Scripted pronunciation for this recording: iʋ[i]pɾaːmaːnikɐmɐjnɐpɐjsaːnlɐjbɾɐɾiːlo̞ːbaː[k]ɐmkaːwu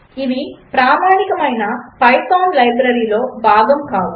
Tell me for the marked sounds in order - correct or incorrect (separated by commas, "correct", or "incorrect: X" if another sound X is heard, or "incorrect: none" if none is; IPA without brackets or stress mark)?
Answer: correct, incorrect: ɡ